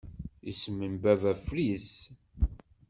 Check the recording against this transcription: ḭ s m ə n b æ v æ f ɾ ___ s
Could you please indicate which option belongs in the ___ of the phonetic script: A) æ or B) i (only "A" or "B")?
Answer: B